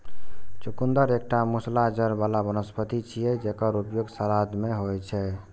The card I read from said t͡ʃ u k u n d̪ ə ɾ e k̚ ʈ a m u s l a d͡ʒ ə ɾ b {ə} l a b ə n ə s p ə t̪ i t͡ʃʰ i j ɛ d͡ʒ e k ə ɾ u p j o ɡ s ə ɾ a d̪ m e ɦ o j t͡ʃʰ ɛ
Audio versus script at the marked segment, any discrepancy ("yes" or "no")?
yes